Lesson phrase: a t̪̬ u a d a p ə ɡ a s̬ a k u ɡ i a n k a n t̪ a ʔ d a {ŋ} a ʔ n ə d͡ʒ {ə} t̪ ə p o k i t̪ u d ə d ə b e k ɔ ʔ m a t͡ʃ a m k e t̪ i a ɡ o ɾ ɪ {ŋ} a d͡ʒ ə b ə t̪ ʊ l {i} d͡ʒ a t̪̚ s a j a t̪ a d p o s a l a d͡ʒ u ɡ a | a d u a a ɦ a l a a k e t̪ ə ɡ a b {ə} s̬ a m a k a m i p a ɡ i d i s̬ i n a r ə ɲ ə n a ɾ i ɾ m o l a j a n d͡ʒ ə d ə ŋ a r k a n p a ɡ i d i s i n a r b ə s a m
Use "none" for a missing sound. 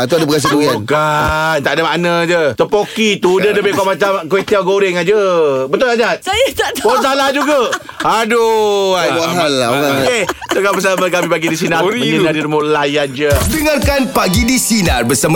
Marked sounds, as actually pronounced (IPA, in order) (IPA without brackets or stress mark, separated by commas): m, ə, ŋ, a, ə